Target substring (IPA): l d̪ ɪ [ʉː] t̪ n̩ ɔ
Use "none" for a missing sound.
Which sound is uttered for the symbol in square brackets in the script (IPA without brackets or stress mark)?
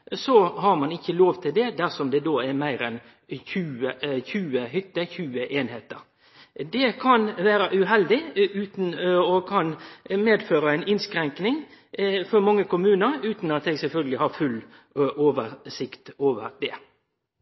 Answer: ʉː